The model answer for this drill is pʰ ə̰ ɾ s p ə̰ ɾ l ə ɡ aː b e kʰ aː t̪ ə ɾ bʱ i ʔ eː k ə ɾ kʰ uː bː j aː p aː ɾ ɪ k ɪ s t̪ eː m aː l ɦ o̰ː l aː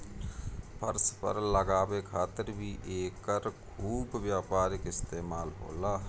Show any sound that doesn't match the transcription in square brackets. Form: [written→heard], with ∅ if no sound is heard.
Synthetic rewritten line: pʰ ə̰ ɾ s p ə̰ ɾ l ə ɡ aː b e kʰ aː t̪ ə ɾ bʱ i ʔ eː k ə ɾ kʰ uː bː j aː p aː ɾ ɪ k ɪ s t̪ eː m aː l ɦ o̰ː l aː

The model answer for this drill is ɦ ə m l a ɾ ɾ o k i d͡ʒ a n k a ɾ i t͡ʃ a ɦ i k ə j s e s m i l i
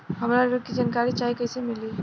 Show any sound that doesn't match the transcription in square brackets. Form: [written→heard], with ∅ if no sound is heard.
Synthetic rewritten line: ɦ ə m [l→ɾ] a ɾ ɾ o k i d͡ʒ a n k a ɾ i t͡ʃ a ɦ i k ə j s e [s→∅] m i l i

